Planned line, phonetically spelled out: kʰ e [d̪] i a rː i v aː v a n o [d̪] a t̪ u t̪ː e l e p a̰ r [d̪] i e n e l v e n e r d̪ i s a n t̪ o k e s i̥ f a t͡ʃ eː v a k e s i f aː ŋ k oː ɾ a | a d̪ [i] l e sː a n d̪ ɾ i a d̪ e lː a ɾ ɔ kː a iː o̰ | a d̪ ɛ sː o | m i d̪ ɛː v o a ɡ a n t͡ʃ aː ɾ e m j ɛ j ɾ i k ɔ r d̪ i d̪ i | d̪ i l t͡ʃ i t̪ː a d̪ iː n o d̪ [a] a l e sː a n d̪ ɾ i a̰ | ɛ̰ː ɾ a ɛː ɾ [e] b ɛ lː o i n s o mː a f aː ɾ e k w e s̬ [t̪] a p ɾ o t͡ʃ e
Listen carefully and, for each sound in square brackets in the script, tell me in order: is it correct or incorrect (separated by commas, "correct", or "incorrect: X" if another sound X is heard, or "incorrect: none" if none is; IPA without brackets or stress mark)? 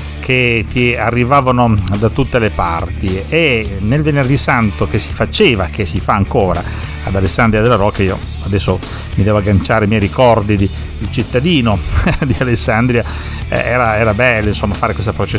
incorrect: t̪, correct, incorrect: t̪, incorrect: a, incorrect: i, incorrect: a, correct